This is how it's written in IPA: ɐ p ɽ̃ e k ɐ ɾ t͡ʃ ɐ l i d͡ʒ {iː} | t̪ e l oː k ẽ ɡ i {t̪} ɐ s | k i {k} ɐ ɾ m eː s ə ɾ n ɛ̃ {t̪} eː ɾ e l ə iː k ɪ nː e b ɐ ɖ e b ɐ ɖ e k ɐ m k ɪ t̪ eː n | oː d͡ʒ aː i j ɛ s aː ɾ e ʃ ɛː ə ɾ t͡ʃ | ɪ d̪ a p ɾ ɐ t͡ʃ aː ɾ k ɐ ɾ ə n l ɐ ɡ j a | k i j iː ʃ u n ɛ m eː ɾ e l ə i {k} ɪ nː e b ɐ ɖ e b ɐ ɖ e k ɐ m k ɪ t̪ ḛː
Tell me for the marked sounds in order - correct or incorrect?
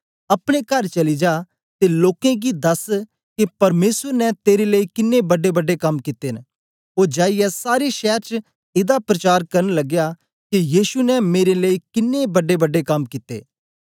incorrect, incorrect, incorrect, correct, correct

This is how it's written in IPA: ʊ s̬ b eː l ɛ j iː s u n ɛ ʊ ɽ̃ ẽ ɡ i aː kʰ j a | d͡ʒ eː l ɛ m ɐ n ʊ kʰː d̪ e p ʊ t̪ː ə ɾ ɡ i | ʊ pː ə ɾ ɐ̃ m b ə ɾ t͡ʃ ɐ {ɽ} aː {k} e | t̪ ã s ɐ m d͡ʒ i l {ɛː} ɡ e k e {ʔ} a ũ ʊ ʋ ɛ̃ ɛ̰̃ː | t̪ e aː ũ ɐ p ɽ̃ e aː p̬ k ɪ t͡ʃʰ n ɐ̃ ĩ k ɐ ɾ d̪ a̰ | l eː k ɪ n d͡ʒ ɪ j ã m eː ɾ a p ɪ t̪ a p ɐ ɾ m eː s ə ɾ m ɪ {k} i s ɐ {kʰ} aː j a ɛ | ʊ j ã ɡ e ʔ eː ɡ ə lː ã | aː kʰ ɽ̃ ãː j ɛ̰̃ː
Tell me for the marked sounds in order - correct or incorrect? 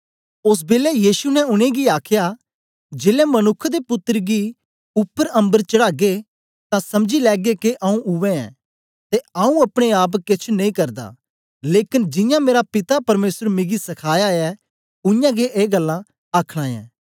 correct, incorrect, correct, correct, incorrect, correct

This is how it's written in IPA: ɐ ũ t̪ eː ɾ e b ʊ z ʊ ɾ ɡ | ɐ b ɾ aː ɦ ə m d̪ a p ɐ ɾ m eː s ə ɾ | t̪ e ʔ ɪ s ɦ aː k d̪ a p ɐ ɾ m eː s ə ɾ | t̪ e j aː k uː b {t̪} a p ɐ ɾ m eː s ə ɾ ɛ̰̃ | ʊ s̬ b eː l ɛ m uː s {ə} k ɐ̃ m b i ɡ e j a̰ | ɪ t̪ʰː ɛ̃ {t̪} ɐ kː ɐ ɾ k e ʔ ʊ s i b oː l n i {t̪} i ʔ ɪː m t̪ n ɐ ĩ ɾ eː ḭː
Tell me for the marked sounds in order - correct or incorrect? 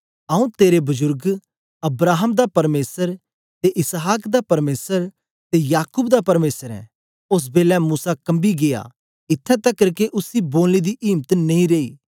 incorrect, incorrect, correct, incorrect

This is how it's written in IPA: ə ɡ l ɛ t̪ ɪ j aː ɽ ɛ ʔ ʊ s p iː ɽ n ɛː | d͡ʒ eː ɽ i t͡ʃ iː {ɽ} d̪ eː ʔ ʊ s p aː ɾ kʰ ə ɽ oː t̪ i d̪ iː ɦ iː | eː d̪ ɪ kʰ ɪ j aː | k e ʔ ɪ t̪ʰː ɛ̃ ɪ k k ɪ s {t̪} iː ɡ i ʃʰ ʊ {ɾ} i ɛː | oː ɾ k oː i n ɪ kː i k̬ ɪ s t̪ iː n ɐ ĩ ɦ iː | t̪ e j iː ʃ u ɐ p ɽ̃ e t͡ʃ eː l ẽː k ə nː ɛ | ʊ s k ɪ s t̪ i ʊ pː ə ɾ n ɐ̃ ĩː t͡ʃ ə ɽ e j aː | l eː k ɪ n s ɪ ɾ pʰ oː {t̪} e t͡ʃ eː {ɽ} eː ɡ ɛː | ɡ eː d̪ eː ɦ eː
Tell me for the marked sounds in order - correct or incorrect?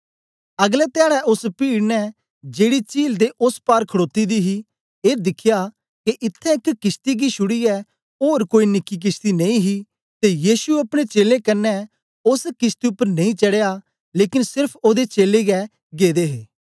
incorrect, correct, incorrect, incorrect, incorrect

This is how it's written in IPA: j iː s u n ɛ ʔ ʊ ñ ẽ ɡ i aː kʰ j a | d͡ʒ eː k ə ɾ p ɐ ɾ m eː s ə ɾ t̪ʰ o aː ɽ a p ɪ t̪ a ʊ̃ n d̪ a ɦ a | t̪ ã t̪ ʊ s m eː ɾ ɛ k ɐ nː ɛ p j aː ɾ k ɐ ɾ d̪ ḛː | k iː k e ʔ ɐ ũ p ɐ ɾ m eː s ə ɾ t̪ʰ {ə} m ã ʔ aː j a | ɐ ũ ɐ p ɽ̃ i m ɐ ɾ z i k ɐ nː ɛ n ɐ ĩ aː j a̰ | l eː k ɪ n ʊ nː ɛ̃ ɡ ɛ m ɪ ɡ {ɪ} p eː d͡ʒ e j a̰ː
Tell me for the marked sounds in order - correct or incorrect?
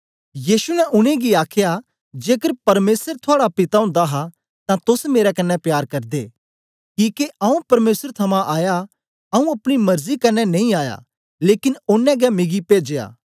incorrect, incorrect

